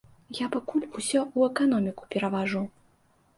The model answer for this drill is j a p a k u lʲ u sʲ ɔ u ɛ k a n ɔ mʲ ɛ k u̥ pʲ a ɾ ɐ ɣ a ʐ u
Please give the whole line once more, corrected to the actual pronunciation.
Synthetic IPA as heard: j a p a k u lʲ u sʲ ɔ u ɛ k a n ɔ mʲ i k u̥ pʲ ɛ ɾ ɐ v a ʐ u